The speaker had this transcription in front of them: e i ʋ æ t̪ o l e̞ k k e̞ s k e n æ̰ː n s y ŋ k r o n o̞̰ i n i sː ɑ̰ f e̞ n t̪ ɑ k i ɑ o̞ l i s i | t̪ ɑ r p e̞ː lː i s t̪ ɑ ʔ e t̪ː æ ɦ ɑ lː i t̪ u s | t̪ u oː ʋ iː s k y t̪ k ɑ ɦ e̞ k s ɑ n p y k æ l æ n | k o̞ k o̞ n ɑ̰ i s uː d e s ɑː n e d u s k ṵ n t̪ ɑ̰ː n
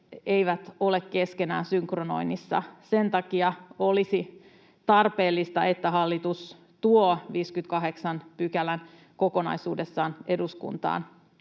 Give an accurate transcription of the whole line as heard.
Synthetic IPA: e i ʋ æ t̪ o l e̞ k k e̞ s k e n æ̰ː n s y ŋ k r o n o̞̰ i n i sː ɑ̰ s e̞ n t̪ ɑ k i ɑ o̞ l i s i | t̪ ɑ r p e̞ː lː i s t̪ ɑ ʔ e t̪ː æ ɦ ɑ lː i t̪ u s | t̪ u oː ʋ iː s k y t̪ k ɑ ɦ e̞ k s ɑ n p y k æ l æ n | k o̞ k o̞ n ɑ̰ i s uː d e sː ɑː n e d u s k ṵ n t̪ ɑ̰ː n